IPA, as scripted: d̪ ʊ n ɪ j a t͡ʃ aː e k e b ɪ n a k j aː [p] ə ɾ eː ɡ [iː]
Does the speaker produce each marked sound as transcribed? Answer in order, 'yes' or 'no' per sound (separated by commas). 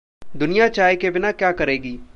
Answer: no, yes